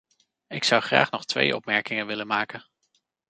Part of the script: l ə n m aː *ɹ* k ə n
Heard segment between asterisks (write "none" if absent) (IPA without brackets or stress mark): none